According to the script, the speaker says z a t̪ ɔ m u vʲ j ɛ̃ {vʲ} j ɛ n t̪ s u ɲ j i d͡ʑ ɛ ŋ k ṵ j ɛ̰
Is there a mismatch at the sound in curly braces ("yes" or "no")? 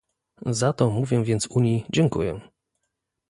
no